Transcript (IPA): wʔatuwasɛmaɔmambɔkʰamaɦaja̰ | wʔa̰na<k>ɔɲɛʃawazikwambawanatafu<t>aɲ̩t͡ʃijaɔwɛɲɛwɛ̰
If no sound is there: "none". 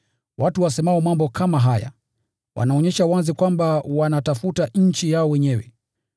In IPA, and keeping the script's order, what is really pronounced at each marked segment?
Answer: none, t

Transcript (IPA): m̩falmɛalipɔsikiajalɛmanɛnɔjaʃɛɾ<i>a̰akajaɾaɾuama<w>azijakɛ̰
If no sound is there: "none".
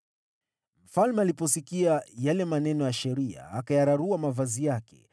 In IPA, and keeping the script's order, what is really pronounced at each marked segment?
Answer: i, v

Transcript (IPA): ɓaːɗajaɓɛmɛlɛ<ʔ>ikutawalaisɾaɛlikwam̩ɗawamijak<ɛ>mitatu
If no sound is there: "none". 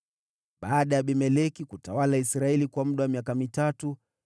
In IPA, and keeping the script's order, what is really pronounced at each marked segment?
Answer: k, a

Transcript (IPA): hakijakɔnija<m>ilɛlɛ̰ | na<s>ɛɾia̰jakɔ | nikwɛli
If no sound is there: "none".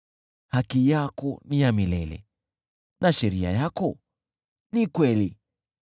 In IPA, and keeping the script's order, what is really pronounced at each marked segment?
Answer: m, ʃ

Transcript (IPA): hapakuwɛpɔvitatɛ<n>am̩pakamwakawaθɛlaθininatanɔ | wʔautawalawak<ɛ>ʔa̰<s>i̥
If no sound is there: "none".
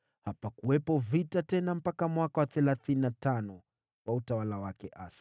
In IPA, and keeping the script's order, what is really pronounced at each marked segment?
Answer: n, ɛ, s

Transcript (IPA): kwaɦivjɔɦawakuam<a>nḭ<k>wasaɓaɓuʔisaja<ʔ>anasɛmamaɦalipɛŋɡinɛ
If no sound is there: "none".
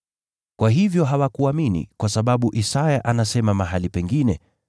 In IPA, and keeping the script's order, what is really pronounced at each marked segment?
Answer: i, k, ʔ

